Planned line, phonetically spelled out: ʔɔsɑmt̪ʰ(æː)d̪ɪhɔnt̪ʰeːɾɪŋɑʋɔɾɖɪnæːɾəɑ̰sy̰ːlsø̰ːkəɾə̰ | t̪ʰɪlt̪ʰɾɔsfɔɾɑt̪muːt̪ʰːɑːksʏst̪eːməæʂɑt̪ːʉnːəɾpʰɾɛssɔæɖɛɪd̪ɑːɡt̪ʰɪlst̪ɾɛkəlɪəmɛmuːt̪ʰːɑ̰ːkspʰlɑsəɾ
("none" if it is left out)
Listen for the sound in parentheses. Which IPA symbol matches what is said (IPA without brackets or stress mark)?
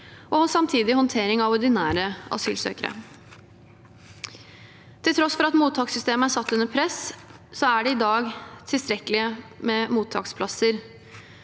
iː